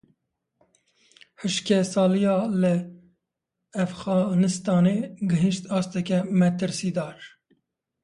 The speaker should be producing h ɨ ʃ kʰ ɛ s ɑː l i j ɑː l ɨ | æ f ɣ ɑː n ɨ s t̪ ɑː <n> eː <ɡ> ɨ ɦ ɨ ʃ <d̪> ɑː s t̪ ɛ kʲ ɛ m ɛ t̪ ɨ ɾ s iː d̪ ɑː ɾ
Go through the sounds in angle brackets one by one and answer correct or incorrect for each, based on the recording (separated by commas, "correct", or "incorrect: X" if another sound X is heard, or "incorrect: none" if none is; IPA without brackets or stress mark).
correct, correct, incorrect: t̪